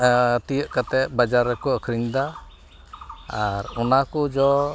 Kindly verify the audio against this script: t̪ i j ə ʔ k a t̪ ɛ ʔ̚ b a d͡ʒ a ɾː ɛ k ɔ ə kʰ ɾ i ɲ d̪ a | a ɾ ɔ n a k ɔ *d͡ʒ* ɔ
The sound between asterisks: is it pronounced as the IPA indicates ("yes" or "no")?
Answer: yes